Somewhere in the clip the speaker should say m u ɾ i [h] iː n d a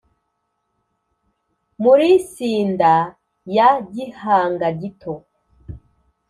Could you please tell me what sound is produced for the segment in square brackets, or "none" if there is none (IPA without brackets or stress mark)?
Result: s